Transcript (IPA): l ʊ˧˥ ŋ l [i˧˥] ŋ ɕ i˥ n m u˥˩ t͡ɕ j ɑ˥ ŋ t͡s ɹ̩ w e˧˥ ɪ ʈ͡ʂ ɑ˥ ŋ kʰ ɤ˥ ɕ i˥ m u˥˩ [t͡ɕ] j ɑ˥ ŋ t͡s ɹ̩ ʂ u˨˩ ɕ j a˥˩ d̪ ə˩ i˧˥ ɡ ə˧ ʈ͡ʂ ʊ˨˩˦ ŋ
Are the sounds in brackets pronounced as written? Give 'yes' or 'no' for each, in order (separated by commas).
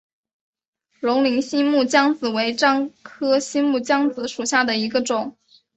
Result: yes, yes